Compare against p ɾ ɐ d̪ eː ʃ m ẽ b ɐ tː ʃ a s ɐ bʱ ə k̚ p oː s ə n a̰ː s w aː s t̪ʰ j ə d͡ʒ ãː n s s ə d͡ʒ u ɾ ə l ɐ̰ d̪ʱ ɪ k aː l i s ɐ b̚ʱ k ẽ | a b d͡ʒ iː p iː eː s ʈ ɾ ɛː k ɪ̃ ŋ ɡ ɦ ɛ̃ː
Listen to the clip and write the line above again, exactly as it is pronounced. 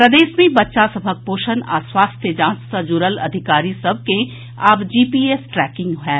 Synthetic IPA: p ɾ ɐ d̪ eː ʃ m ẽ b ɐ tː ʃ a s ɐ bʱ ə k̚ p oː ʃ ə n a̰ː s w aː s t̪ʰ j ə d͡ʒ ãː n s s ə d͡ʒ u ɾ ə l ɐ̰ d̪ʱ ɪ k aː ɾ i s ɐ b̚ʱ k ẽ | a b d͡ʒ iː p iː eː s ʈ ɾ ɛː k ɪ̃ ŋ ɡ ɦ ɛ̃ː